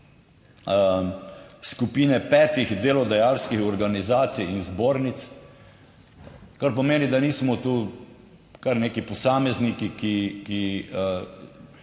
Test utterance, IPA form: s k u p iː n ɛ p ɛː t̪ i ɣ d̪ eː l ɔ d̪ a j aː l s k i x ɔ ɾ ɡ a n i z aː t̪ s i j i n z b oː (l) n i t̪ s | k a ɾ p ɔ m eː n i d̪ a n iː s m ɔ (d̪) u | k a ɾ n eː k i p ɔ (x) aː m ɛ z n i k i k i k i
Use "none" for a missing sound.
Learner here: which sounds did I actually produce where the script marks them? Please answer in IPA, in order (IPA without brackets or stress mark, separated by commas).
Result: ɾ, t̪, s